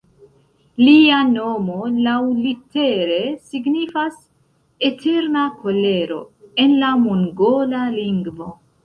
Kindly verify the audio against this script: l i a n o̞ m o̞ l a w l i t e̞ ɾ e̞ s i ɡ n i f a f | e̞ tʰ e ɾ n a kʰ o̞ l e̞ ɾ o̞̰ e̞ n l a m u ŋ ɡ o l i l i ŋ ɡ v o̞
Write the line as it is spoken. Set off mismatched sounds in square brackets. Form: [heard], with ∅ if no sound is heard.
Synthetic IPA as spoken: l i a n o̞ m o̞ l a w l i t e̞ ɾ e̞ s i ɡ n i f a [s] | e̞ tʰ e ɾ n a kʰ o̞ l e̞ ɾ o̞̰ e̞ n l a m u ŋ ɡ o l [a] l i ŋ ɡ v o̞